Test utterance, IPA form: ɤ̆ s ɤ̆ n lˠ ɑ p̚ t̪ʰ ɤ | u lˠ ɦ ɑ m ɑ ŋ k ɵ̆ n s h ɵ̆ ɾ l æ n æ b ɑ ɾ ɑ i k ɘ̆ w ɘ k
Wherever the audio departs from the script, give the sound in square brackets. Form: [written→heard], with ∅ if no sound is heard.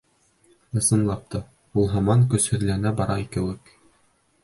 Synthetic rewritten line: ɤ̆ s ɤ̆ n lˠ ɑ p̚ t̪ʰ ɤ | u lˠ ɦ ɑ m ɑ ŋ k ɵ̆ [n→∅] s h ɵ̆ ɾ l æ n æ b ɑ ɾ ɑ i k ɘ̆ w ɘ k